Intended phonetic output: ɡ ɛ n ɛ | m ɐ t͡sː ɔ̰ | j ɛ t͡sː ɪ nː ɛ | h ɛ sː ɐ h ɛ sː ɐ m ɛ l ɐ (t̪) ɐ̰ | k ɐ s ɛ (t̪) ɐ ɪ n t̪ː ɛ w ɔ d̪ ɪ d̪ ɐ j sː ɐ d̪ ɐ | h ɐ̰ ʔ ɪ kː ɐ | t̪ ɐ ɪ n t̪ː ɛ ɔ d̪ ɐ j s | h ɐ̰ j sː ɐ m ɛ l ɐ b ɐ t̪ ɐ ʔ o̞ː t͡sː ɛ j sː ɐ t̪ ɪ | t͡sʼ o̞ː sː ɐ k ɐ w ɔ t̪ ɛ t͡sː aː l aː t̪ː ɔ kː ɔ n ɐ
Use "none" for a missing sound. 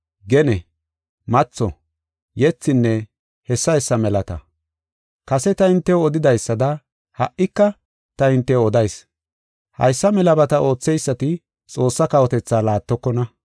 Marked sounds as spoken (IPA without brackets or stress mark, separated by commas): t̪, t̪